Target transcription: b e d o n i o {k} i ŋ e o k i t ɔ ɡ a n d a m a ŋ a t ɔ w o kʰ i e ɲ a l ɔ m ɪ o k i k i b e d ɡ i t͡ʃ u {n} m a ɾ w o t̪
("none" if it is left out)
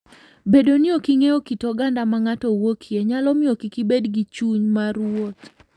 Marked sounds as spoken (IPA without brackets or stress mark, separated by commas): k, ɲ